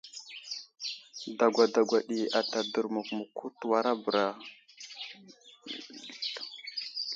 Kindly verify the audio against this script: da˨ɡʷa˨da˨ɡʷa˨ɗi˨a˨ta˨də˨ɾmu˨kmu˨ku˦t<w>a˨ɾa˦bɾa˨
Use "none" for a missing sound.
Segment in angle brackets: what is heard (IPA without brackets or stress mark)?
w